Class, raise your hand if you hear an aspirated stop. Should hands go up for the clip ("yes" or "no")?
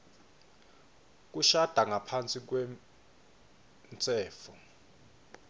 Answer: yes